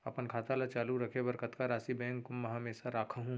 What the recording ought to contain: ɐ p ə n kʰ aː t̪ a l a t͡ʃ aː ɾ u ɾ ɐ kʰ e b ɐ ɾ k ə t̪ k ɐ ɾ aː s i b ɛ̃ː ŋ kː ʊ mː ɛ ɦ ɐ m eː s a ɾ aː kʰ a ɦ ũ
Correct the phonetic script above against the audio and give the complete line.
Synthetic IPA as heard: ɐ p ə n kʰ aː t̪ a l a t͡ʃ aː l u ɾ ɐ kʰ e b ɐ ɾ k ə t̪ k a ɾ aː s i b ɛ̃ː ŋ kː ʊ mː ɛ ɦ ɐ m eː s a ɾ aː kʰ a ɦ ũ